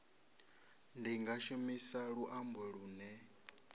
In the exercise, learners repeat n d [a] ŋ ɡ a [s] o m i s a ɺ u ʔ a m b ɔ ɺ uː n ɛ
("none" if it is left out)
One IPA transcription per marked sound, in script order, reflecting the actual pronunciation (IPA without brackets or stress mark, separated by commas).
i, ʃ